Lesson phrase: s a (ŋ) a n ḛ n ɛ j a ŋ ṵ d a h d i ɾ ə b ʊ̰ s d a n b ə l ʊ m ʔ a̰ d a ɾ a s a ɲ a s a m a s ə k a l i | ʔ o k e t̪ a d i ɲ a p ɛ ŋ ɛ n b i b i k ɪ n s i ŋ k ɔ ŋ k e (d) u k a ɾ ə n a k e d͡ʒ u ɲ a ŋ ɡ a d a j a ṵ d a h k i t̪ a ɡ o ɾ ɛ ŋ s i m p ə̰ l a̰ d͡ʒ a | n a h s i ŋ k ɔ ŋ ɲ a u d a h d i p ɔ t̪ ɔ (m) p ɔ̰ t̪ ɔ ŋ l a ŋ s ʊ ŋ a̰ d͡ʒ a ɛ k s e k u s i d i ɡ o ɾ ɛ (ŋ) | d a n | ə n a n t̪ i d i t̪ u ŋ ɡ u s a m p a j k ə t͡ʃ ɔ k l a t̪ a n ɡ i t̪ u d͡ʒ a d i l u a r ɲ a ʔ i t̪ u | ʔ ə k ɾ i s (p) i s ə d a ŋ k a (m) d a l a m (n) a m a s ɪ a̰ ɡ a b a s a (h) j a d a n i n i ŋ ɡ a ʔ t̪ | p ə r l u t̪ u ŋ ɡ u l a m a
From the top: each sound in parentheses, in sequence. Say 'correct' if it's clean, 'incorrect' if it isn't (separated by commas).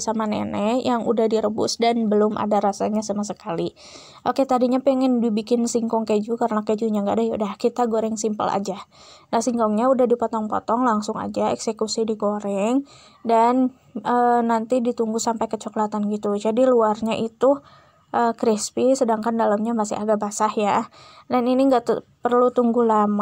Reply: incorrect, incorrect, incorrect, correct, correct, incorrect, incorrect, correct